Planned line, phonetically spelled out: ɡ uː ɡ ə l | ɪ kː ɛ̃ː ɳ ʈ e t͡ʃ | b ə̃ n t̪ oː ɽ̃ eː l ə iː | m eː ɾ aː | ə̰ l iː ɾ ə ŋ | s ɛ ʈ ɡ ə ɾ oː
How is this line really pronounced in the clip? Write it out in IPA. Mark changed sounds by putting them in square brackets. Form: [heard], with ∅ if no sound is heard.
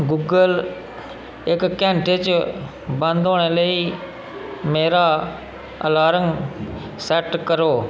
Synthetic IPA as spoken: ɡ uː ɡ ə l | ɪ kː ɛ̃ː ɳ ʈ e t͡ʃ | b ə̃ n [d̪] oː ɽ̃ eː l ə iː | m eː ɾ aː | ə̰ l [aː] ɾ ə ŋ | s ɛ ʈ [k] ə ɾ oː